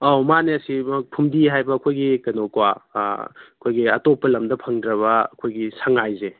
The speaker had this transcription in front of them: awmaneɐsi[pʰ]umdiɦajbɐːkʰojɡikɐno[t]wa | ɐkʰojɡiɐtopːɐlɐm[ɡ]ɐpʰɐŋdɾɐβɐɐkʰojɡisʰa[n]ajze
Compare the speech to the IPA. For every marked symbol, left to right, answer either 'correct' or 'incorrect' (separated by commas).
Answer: correct, incorrect, incorrect, incorrect